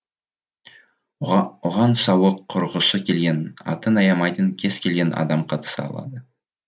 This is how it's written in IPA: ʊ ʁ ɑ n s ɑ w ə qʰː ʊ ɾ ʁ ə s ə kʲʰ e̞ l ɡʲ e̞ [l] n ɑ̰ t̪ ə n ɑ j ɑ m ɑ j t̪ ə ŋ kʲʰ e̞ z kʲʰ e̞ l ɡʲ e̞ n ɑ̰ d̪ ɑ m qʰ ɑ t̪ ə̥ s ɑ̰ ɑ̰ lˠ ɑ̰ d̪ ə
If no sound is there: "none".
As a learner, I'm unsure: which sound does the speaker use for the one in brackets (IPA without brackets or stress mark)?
none